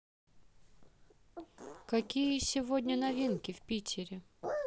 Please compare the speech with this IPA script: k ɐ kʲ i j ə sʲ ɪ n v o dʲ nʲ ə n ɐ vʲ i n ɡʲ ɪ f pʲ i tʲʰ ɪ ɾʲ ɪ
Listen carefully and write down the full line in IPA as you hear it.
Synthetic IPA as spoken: k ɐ kʲ i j ə sʲ ɪ v o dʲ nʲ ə n ɐ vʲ i n kʲ ɪ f pʲ i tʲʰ ɪ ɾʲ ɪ